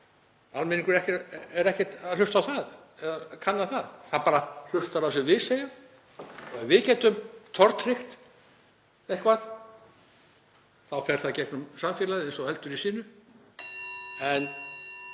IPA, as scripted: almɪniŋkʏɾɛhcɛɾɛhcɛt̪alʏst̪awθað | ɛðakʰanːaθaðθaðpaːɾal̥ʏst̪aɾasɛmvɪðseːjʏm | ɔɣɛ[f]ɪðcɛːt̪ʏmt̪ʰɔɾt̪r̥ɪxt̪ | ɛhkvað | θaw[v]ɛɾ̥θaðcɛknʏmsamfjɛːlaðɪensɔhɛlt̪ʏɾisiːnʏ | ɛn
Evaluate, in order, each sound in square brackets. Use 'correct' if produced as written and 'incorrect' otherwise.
incorrect, incorrect

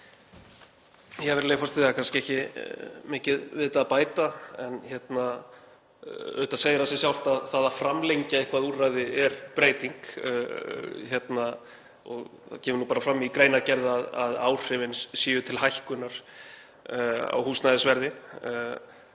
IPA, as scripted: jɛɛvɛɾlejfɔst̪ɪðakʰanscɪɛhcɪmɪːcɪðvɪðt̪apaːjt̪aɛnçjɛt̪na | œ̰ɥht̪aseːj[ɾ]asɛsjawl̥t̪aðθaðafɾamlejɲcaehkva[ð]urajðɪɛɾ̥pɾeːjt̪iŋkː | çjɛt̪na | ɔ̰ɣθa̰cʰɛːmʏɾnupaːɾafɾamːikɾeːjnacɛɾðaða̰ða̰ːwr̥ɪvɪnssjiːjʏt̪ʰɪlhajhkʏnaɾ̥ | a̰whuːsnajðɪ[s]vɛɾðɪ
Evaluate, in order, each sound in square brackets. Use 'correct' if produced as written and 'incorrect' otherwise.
correct, correct, correct

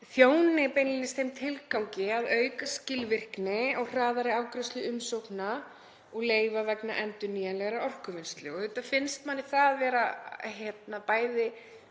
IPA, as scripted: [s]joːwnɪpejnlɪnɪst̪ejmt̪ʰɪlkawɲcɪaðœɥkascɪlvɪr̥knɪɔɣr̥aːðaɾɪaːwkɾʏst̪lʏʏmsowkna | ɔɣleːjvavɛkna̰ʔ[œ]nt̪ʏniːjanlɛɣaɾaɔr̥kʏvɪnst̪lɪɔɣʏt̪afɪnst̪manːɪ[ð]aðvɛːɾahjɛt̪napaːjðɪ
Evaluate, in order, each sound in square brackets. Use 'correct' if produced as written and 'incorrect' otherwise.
incorrect, incorrect, incorrect

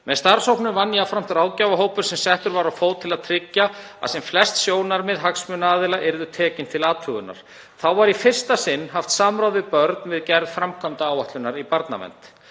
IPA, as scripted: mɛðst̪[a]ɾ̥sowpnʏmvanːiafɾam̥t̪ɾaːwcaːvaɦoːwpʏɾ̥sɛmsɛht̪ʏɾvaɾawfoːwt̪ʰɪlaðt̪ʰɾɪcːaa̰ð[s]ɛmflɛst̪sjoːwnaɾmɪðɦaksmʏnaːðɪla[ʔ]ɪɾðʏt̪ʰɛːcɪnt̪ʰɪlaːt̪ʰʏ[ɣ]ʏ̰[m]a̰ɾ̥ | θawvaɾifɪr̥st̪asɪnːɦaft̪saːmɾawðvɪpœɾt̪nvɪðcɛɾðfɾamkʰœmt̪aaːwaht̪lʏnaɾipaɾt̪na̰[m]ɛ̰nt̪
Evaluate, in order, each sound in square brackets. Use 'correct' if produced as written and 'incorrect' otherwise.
correct, correct, correct, correct, incorrect, correct

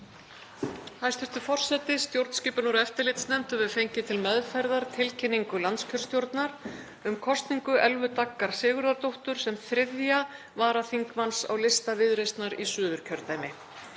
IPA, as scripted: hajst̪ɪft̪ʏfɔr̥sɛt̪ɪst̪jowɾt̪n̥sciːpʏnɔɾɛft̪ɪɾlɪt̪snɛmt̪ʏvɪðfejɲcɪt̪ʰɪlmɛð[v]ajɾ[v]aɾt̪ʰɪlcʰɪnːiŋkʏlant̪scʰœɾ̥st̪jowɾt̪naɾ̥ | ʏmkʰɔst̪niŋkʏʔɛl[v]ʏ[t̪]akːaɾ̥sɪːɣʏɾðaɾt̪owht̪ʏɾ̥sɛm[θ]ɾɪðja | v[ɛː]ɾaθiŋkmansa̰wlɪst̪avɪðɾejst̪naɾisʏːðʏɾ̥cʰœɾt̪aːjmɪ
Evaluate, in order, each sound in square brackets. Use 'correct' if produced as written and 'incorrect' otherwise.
incorrect, incorrect, correct, correct, correct, incorrect

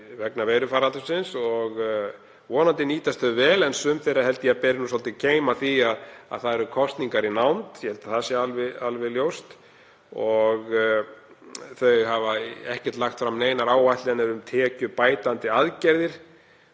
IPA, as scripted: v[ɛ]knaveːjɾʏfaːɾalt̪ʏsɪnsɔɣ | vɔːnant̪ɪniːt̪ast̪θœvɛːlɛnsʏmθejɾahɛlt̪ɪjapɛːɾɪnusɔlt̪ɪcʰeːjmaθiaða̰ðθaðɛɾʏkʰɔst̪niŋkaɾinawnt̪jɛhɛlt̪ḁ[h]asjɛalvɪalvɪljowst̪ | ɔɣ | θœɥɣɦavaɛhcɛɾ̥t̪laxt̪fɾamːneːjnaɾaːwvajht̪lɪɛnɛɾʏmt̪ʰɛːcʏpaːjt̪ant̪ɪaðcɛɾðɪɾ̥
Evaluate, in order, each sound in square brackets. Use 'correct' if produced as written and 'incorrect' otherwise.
correct, incorrect

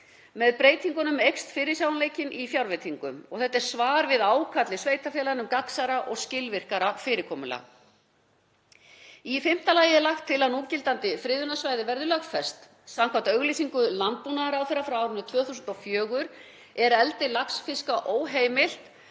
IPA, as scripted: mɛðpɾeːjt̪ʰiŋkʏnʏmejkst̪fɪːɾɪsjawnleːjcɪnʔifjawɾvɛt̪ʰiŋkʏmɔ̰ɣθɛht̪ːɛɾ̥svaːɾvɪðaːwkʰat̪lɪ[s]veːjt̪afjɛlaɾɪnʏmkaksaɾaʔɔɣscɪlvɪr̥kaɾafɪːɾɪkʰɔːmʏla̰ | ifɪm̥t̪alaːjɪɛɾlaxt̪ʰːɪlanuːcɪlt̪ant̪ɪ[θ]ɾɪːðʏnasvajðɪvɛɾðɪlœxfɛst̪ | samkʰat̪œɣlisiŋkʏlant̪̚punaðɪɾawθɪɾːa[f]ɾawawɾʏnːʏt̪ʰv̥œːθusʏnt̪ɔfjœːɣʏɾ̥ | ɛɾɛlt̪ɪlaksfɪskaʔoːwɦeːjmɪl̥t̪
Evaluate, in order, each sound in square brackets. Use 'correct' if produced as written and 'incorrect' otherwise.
correct, incorrect, correct

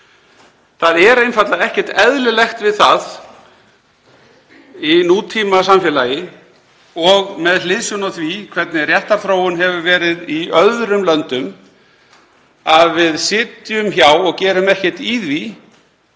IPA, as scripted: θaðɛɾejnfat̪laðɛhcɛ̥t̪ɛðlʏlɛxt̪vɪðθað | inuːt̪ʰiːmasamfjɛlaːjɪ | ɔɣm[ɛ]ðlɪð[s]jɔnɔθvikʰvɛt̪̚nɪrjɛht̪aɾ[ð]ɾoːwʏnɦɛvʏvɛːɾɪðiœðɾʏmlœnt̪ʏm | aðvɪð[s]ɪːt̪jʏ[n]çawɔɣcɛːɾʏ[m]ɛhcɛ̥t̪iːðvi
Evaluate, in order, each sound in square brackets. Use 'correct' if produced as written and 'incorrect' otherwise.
correct, correct, incorrect, correct, incorrect, correct

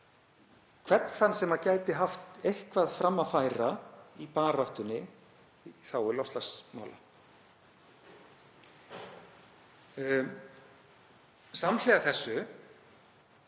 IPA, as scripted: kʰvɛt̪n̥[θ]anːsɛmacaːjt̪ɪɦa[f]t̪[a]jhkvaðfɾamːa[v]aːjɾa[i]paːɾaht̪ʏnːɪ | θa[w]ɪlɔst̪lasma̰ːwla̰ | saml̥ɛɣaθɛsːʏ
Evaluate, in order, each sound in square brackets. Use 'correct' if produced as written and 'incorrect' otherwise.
correct, correct, incorrect, incorrect, correct, correct

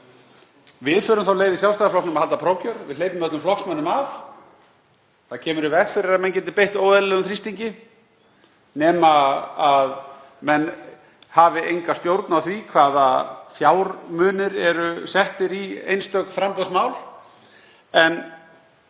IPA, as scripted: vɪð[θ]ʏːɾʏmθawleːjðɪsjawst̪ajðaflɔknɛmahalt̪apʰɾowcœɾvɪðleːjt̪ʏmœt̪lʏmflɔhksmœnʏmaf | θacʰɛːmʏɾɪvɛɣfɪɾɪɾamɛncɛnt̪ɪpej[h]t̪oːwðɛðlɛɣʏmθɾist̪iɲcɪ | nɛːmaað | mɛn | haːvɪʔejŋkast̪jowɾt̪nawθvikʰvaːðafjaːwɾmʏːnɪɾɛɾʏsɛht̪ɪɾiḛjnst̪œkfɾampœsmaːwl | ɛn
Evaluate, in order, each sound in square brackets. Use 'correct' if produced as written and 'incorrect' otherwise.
incorrect, correct

